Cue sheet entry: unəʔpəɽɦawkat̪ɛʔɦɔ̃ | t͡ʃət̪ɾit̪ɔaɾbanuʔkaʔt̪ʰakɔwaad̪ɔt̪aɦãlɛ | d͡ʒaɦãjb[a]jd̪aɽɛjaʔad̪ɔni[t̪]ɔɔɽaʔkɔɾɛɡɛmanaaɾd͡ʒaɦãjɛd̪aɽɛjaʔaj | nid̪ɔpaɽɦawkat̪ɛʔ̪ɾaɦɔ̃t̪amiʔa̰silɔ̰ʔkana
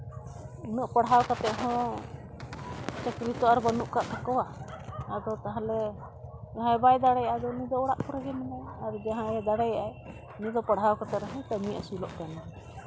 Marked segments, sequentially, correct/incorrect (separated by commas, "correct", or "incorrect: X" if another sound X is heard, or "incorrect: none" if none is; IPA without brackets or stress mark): correct, incorrect: d̪